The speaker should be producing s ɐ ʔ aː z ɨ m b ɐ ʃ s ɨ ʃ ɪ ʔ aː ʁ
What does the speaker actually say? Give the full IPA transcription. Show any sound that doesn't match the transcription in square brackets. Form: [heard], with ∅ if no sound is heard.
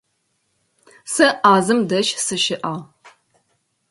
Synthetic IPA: s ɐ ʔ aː z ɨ m [d] ɐ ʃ s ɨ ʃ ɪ ʔ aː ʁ